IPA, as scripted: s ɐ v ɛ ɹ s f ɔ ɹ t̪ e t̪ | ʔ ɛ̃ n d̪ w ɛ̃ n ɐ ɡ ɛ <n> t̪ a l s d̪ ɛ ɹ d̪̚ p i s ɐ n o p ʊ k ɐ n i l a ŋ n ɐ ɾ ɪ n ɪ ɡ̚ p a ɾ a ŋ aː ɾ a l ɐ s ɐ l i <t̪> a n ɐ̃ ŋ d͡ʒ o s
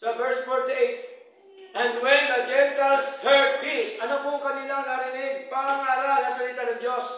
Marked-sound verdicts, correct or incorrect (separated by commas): correct, correct